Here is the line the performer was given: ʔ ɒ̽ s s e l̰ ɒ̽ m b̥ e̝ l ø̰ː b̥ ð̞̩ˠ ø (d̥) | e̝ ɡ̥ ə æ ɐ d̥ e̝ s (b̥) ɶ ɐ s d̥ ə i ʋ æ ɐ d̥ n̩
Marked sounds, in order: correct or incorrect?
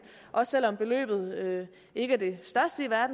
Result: incorrect, incorrect

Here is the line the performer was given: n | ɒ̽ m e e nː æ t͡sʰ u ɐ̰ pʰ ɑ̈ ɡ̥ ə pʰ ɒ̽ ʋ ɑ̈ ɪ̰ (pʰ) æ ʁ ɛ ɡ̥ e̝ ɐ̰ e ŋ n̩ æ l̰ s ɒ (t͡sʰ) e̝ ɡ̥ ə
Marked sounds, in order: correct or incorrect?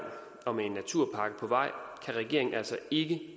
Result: incorrect, incorrect

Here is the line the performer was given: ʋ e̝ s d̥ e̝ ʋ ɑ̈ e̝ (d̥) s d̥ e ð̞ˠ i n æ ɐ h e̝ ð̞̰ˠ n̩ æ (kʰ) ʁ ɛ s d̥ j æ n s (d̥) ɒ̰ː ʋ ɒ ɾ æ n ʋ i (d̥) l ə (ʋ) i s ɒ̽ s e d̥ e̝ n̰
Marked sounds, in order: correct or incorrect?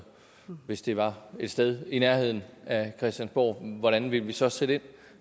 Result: correct, correct, incorrect, incorrect, correct

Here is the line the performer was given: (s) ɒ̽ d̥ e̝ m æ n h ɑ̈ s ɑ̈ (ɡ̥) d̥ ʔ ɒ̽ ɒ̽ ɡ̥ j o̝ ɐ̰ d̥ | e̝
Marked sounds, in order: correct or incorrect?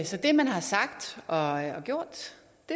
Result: correct, correct

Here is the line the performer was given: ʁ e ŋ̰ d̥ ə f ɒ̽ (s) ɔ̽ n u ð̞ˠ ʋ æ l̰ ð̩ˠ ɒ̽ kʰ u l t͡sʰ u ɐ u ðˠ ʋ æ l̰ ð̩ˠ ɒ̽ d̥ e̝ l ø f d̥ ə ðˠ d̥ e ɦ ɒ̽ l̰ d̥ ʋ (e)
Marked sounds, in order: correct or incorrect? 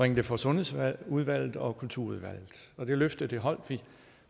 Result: correct, incorrect

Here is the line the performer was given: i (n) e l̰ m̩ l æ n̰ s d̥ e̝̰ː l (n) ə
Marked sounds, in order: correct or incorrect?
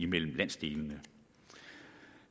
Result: incorrect, correct

